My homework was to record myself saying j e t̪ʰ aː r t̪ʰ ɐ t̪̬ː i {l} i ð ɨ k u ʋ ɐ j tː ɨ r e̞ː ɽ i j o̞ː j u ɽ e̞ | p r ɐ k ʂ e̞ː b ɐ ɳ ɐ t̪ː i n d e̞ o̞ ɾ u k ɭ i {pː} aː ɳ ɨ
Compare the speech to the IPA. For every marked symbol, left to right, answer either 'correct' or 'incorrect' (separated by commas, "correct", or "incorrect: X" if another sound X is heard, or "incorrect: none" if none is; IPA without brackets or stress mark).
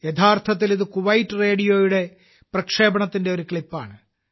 correct, correct